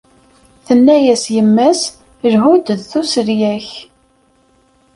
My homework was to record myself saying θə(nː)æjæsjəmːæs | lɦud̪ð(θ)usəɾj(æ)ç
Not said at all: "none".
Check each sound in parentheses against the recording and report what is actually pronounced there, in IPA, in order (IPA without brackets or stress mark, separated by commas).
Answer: nː, θ, æ